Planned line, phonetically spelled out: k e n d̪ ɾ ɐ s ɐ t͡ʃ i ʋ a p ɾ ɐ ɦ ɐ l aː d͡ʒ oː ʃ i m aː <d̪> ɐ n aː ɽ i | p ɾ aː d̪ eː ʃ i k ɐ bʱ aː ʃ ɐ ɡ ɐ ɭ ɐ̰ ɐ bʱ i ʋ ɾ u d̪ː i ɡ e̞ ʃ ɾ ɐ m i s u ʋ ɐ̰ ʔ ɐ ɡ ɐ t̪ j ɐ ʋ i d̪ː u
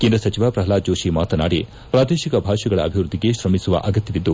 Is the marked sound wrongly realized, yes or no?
yes